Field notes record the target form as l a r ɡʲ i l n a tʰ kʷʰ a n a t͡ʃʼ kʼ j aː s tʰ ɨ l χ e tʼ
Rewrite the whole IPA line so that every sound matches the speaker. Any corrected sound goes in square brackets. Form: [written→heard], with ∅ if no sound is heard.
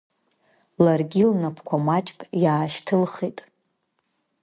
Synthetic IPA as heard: l a r ɡʲ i l n a [tʰ→pʰ] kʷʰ a [n→m] a t͡ʃʼ kʼ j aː [s→ʃ] tʰ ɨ l χ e tʼ

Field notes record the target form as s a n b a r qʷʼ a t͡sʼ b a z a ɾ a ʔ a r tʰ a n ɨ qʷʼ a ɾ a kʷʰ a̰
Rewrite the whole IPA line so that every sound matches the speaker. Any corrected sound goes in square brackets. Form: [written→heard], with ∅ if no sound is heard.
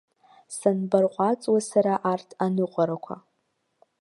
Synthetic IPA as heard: s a n b a r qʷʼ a t͡sʼ [b→w] a [z→s] a ɾ a ʔ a r tʰ a n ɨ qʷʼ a ɾ a kʷʰ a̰

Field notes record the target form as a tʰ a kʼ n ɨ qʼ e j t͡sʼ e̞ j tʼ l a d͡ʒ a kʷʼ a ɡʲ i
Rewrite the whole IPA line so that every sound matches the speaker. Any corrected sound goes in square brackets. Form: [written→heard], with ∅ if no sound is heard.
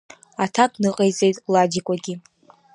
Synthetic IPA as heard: a tʰ a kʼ n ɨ qʼ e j t͡sʼ e̞ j tʼ l a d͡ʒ [a→i] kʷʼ a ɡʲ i

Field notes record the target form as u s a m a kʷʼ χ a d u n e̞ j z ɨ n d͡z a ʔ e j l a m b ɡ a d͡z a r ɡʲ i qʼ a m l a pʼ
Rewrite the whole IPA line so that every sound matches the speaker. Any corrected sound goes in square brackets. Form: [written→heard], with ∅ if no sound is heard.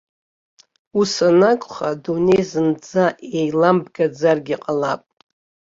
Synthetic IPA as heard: u s a [m→n] a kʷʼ χ a d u n e̞ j z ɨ n d͡z a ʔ e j l a m b ɡ a d͡z a r ɡʲ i qʼ a [m→∅] l a pʼ

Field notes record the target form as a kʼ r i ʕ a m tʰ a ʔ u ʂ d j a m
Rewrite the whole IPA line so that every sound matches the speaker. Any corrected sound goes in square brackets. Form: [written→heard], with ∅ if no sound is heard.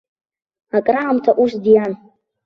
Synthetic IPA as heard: a kʼ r [i→a] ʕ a m tʰ a ʔ u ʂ d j a [m→n]

